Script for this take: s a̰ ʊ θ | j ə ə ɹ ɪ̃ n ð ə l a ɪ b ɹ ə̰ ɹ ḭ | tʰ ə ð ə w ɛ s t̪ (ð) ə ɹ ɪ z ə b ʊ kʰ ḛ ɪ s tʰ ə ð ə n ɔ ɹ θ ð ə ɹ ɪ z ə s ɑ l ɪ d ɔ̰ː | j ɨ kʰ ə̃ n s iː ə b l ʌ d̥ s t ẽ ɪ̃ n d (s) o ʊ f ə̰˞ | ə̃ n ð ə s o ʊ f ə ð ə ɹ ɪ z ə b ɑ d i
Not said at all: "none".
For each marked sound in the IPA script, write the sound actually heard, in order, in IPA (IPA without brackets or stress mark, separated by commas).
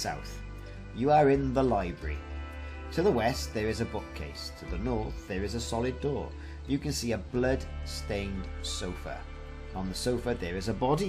ð, s